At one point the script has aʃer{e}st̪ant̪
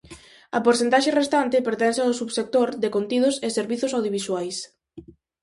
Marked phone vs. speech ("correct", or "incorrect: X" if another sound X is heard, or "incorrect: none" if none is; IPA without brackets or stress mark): correct